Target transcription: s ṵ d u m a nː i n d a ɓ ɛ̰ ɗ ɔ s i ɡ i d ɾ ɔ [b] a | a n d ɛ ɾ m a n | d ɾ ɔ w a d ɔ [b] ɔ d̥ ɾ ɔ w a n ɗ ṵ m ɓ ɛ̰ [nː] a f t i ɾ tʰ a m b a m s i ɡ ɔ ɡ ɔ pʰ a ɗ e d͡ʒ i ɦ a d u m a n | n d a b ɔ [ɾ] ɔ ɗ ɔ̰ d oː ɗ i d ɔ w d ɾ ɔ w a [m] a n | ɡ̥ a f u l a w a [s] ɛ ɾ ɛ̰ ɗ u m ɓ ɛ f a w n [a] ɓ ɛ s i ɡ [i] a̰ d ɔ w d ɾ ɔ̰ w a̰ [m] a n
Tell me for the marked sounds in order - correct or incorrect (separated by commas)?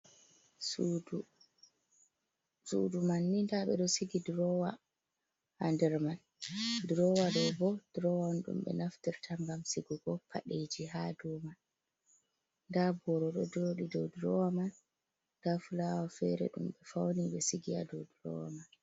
incorrect, correct, incorrect, correct, correct, incorrect, incorrect, correct, correct